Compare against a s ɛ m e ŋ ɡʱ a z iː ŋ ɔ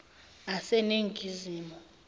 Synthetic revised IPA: a s ɛ n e ŋ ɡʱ i z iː m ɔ